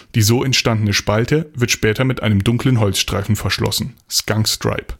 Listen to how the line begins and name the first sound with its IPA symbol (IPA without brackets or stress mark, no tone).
d̥